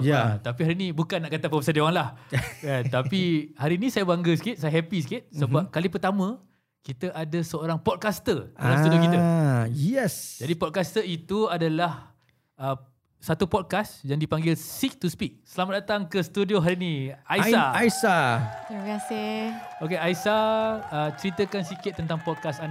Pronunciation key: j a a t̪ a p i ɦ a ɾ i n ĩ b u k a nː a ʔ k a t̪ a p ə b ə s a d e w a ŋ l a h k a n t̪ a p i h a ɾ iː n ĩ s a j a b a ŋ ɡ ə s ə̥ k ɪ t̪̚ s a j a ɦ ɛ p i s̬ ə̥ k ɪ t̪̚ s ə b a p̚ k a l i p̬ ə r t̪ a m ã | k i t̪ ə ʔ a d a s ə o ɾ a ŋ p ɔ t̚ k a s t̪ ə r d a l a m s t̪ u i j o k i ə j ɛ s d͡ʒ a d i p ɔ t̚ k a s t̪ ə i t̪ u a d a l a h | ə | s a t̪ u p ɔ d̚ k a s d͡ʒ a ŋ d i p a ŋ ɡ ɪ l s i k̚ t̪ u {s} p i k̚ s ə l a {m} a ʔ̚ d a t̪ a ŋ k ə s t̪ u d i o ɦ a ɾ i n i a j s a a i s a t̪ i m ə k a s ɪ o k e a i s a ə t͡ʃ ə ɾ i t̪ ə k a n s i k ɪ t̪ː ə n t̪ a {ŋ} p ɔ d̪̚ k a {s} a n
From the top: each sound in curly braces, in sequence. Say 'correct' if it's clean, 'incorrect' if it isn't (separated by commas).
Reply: correct, correct, correct, correct